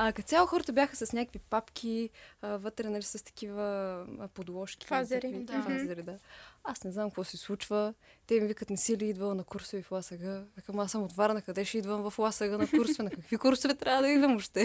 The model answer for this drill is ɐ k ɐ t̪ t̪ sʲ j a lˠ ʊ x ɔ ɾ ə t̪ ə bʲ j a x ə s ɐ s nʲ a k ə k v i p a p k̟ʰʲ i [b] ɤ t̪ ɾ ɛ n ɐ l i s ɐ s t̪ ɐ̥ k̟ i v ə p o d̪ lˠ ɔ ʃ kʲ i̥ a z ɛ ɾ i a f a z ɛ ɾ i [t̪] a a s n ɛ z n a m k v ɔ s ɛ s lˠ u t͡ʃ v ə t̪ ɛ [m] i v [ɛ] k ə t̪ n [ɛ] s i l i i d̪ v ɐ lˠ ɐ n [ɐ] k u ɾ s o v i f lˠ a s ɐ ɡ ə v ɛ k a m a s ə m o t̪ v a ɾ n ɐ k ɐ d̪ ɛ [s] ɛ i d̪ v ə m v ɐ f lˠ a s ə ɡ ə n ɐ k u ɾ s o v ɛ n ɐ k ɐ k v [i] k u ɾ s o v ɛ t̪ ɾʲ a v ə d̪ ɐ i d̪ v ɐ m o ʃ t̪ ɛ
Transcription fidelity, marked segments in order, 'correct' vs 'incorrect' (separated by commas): incorrect, incorrect, correct, incorrect, correct, correct, incorrect, correct